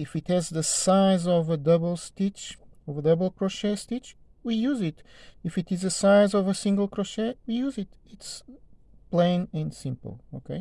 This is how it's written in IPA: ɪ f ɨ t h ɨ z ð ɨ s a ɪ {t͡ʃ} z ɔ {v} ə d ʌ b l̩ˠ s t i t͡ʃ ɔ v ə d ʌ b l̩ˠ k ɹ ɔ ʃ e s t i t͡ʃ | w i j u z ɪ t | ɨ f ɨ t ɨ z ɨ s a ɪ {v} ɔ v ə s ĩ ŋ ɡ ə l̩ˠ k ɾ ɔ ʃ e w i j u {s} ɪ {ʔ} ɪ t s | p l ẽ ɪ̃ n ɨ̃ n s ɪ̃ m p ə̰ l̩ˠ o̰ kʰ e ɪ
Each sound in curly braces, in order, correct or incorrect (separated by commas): incorrect, correct, incorrect, incorrect, incorrect